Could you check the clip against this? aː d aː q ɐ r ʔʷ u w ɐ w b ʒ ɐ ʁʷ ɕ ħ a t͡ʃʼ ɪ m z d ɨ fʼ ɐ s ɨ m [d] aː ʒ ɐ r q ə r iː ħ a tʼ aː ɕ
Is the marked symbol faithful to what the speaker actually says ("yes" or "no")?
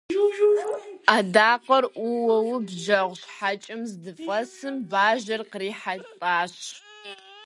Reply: no